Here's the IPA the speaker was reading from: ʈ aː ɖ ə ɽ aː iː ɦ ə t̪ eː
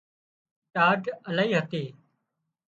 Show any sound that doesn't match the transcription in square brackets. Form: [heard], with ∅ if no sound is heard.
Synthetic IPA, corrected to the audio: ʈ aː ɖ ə [l] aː iː ɦ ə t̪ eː